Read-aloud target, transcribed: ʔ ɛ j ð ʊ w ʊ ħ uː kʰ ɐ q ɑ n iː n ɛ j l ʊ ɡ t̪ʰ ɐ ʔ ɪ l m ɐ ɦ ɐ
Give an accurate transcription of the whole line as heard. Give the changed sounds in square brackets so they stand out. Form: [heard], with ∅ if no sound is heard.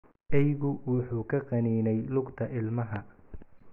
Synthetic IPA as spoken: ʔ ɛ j [ɣ] ʊ w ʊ ħ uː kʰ ɐ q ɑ n iː n ɛ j l ʊ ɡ t̪ʰ ɐ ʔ ɪ l m ɐ ɦ ɐ